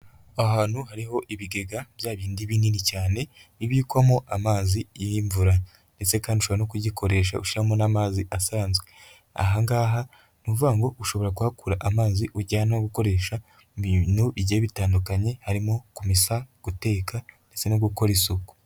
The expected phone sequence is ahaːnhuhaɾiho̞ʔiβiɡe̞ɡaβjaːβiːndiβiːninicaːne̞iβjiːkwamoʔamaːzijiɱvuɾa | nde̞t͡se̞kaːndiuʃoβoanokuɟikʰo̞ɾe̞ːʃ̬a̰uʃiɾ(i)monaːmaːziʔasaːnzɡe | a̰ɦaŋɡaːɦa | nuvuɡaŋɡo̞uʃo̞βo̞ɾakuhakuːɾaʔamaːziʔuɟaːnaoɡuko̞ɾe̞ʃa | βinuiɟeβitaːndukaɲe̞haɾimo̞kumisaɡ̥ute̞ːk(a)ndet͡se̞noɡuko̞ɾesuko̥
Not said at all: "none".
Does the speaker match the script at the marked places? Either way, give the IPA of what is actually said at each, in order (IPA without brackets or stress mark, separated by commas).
a, a